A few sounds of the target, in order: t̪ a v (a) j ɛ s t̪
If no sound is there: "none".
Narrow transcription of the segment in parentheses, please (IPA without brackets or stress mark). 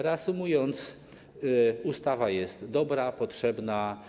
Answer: a